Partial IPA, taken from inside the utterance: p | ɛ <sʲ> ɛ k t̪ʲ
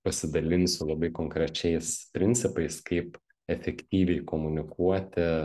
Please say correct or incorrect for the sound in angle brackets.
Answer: incorrect